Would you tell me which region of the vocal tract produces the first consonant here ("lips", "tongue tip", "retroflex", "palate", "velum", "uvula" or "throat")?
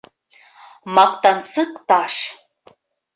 lips